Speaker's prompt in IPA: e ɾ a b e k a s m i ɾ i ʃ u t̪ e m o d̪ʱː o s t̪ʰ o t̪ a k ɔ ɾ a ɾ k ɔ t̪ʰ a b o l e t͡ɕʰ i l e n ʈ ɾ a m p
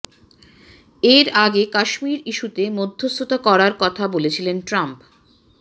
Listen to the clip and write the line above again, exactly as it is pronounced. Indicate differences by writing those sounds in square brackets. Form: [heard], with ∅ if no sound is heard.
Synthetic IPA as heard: e ɾ a [ɡ] e k a [ʃ] m i ɾ i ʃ u t̪ e m o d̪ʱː o s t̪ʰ o t̪ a k ɔ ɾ a ɾ k ɔ t̪ʰ a b o l e t͡ɕʰ i l e n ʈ ɾ a m p